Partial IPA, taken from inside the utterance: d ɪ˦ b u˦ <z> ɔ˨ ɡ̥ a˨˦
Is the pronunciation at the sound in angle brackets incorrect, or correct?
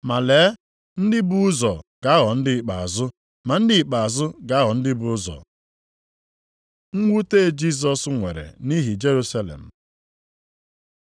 correct